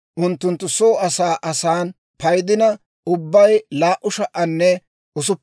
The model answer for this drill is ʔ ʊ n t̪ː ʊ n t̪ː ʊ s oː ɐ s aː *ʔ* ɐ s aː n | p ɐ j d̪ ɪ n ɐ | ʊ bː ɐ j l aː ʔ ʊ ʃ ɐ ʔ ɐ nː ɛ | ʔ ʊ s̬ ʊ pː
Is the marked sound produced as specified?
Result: yes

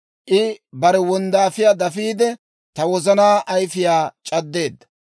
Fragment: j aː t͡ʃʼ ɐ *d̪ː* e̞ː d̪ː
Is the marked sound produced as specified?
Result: yes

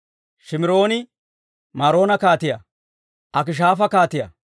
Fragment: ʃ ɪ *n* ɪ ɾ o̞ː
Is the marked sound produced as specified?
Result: no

